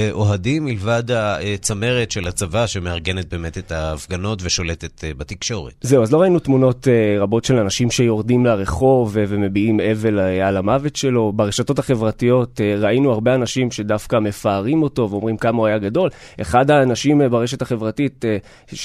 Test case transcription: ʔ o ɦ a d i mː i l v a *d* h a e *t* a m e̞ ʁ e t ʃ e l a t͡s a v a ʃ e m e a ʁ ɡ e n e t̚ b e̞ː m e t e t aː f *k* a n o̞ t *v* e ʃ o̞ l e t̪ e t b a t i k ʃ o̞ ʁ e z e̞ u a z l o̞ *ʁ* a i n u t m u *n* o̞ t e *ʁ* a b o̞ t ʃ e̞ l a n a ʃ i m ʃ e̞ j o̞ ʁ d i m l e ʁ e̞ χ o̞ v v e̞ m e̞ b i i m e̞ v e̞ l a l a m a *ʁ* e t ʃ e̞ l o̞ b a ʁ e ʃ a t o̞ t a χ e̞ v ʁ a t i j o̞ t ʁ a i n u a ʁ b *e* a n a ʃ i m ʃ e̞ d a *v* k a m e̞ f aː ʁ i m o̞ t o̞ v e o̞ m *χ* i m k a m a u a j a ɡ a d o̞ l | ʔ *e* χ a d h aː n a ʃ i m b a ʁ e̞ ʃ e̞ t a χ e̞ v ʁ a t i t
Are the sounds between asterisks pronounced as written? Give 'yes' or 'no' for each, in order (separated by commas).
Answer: yes, no, no, yes, yes, yes, yes, no, yes, no, no, yes